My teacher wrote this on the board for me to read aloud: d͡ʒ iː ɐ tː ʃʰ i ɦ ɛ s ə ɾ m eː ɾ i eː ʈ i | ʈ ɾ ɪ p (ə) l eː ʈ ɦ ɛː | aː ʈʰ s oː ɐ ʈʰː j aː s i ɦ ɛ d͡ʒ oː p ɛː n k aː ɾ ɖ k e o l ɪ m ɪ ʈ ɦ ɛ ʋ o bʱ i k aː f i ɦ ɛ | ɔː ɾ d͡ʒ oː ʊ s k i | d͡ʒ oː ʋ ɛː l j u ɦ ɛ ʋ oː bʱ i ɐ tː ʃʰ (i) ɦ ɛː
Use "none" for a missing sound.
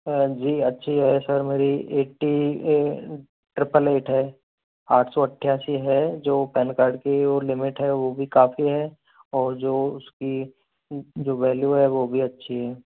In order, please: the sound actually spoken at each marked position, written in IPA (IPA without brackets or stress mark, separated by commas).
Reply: ə, i